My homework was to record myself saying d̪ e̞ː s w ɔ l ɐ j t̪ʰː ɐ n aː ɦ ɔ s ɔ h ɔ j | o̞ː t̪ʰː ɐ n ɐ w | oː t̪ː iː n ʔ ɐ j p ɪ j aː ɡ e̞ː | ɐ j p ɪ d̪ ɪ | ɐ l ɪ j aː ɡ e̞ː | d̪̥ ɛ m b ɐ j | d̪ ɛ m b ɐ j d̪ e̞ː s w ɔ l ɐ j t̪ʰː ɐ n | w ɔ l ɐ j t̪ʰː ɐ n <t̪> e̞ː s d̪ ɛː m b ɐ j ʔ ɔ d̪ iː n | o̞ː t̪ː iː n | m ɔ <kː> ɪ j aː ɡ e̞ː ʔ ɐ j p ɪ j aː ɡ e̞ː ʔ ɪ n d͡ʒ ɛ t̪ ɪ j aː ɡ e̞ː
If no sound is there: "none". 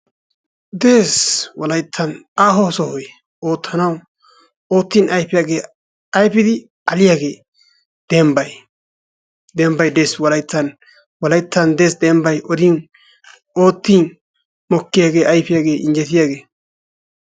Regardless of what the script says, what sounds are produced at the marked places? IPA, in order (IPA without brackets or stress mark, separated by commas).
d̪, kː